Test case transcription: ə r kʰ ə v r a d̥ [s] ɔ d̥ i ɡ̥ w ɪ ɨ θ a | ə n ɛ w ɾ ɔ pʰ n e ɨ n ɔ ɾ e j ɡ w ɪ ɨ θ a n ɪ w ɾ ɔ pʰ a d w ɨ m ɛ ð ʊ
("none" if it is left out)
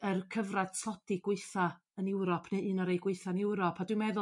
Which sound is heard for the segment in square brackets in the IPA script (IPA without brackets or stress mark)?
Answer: s